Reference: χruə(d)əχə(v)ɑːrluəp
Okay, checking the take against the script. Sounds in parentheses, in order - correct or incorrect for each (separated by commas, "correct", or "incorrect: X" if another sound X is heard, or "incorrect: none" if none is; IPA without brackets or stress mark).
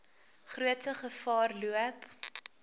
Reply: incorrect: t, incorrect: f